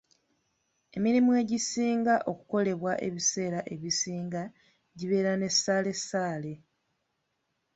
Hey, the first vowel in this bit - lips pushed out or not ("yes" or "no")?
no